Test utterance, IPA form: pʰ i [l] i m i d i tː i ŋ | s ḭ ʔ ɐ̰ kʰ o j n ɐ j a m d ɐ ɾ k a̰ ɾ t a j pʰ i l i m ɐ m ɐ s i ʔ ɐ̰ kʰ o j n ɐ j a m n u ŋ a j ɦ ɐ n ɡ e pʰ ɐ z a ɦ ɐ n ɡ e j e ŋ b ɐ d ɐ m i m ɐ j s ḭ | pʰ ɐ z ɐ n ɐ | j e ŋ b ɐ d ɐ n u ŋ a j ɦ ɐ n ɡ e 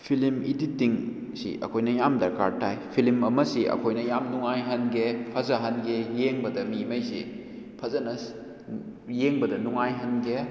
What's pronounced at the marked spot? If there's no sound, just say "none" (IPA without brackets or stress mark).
l